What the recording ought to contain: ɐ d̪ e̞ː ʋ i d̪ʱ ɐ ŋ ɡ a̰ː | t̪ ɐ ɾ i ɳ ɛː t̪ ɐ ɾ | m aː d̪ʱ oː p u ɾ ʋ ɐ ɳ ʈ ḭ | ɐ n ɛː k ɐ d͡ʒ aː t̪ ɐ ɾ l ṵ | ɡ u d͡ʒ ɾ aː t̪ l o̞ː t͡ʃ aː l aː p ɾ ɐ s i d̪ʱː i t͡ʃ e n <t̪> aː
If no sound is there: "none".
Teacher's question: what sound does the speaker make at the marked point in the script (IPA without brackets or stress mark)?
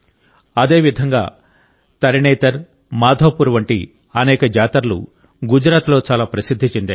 d̪